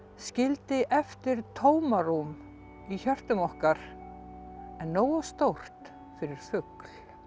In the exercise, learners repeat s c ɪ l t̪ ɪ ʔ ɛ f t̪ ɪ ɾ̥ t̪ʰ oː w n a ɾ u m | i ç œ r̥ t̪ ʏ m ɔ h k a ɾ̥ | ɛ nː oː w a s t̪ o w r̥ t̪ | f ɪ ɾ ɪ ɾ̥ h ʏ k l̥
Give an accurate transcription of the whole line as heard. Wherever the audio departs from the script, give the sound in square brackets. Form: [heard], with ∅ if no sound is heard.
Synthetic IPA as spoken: s c ɪ l t̪ ɪ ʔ ɛ f t̪ ɪ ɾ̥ t̪ʰ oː w [m] a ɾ u m | i ç œ r̥ t̪ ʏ m ɔ h k a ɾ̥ | ɛ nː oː w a s t̪ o w r̥ t̪ | f ɪ ɾ ɪ ɾ̥ [f] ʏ k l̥